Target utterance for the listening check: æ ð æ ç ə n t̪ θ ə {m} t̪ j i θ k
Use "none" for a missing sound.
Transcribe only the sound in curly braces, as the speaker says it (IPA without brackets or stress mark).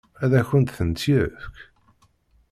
n